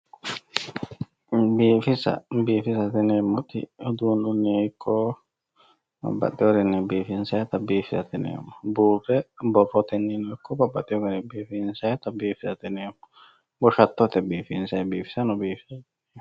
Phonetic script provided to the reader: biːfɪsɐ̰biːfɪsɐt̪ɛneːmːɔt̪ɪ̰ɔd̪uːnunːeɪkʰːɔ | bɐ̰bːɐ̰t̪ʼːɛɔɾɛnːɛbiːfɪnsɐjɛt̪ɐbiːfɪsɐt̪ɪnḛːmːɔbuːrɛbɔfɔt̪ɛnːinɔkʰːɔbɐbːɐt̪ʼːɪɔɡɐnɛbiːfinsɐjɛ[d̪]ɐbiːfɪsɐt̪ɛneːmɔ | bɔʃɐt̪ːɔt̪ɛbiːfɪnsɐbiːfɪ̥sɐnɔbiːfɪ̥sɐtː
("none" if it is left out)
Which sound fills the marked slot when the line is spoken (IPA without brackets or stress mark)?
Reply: t̪